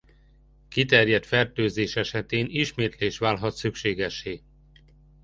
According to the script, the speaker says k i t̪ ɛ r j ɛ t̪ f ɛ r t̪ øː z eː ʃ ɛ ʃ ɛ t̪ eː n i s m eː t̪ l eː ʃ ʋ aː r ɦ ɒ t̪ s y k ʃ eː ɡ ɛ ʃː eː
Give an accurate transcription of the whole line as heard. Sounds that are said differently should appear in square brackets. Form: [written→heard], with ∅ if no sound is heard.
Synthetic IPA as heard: k i t̪ ɛ r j ɛ t̪ f ɛ r t̪ øː z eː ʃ ɛ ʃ ɛ t̪ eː n i [s→ʃ] m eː t̪ l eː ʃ ʋ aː [r→l] ɦ ɒ t̪ s y k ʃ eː ɡ ɛ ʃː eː